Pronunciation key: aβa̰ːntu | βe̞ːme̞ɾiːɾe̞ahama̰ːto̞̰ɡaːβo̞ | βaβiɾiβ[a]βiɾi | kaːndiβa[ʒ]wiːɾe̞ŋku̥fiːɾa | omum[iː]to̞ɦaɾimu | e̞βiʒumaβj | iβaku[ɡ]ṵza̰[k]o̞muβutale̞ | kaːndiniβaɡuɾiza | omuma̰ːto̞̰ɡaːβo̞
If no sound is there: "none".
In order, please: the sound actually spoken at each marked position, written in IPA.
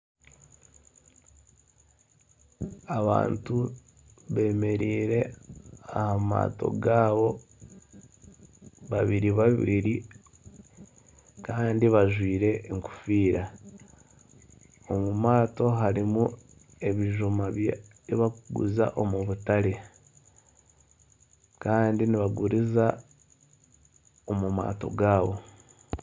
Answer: a, ʒ, aː, ɡ, ʔ

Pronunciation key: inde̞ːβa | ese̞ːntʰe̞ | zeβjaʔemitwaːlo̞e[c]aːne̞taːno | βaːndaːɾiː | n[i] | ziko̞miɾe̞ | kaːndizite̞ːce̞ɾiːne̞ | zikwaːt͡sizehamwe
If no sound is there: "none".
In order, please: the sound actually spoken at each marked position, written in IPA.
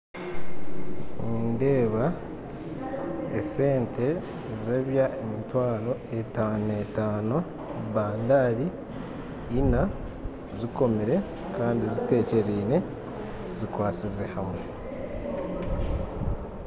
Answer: t, a

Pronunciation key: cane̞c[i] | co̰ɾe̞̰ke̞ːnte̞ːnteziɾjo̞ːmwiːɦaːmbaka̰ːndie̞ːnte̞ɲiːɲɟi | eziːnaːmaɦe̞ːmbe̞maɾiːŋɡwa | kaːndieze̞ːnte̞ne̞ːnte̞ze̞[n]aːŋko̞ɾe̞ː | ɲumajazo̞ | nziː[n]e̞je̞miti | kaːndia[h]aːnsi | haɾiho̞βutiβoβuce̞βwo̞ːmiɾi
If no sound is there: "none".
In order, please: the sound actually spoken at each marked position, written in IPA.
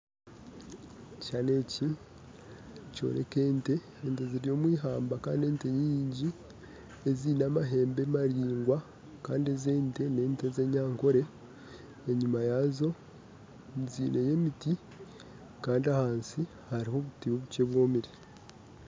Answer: i, ɲ, n, h

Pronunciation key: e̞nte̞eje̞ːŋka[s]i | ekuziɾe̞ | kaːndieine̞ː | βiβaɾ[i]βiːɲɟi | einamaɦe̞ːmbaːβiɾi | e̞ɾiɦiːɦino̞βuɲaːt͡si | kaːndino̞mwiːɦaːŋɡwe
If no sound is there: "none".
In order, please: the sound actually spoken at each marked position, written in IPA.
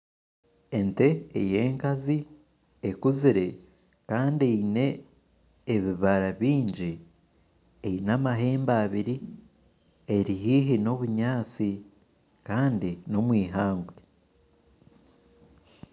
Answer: z, a

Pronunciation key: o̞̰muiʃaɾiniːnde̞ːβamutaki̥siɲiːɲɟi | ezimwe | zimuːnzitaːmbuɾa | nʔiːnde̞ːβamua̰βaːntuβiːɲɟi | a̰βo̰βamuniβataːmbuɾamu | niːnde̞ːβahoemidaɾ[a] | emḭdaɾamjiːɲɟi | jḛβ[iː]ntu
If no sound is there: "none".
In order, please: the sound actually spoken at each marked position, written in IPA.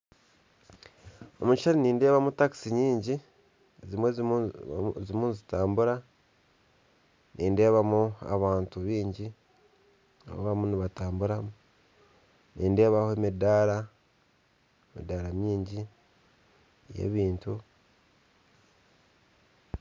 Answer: a, iː

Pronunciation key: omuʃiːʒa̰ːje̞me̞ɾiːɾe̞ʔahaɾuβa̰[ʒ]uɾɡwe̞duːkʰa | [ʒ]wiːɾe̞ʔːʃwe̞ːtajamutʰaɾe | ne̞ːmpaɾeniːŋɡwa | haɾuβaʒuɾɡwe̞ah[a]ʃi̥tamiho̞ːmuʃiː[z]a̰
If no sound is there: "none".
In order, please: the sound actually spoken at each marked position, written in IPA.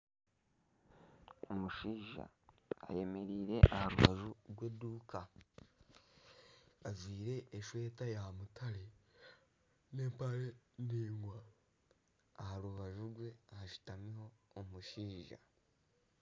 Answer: ʒ, z, a, ʒ

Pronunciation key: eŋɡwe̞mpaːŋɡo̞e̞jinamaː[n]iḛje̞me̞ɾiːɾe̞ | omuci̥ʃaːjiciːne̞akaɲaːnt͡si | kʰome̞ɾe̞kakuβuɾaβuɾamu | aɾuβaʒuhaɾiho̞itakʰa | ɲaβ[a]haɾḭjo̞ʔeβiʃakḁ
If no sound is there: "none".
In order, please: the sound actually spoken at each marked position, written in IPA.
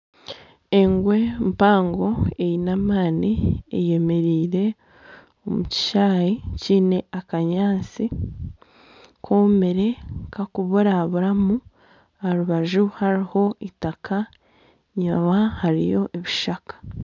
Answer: n, a

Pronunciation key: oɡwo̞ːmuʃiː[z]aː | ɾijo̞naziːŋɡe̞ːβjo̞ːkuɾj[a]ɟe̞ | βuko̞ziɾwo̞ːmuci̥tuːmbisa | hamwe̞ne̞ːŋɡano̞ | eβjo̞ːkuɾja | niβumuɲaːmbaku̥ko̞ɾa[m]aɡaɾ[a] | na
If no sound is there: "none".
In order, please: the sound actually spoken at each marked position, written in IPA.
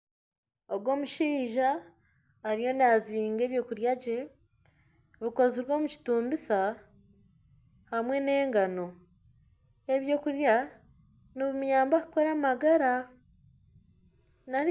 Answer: ʒ, a, m, a

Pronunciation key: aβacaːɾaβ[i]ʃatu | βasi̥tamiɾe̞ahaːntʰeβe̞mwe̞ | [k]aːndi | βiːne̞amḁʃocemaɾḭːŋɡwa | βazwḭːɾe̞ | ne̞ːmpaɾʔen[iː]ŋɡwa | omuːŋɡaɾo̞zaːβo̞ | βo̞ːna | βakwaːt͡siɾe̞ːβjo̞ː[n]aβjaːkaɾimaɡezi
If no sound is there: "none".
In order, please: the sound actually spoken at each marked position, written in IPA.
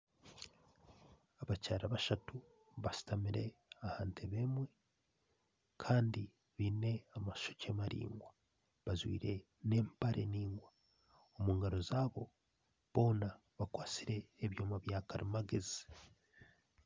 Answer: a, kʰ, iː, m

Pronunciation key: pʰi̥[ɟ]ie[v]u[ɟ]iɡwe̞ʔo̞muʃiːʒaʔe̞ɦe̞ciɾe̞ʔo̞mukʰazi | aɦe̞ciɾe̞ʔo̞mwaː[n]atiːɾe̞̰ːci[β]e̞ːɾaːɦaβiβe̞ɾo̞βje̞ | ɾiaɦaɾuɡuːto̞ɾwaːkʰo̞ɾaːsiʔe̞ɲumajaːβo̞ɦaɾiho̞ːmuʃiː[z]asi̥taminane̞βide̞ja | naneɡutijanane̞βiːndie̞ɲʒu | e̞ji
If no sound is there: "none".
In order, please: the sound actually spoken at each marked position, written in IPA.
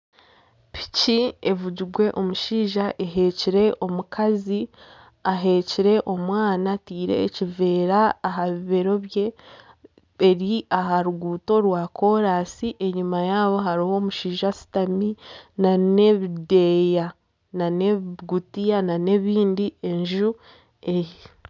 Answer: c, v, ɟ, n, v, ʒ

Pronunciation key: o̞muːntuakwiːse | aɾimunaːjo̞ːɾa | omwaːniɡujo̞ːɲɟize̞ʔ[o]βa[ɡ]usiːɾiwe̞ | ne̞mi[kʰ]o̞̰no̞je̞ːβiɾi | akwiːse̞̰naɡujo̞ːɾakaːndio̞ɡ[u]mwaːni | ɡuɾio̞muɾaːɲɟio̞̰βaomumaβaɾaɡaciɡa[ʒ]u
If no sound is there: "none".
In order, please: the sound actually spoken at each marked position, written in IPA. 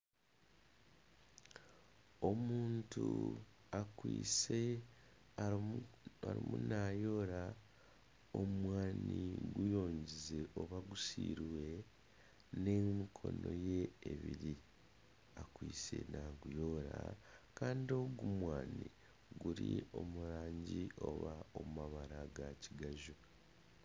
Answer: o, ɡ, kʰ, u, ʒ

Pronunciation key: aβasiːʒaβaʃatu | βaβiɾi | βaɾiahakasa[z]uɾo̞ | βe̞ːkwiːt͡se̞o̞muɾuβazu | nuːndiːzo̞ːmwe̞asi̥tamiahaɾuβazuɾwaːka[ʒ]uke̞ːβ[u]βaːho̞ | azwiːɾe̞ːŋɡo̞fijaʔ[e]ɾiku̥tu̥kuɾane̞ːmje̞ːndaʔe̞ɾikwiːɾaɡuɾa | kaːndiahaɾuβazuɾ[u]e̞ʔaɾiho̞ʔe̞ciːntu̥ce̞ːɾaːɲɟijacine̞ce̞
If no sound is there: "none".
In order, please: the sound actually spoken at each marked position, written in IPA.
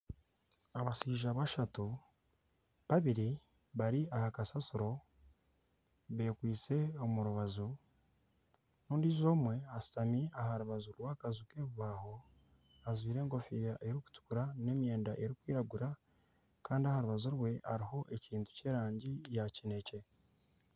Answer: s, z, u, e, w

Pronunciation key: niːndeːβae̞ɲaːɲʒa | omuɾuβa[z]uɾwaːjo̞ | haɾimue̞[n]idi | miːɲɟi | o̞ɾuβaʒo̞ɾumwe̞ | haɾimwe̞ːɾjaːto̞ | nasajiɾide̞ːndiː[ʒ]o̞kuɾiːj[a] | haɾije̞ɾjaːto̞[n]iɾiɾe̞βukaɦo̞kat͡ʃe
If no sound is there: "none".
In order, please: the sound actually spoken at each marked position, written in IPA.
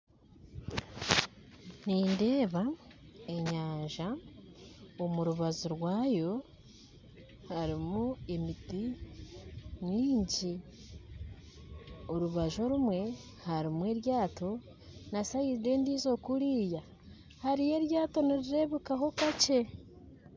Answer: z, m, z, a, n

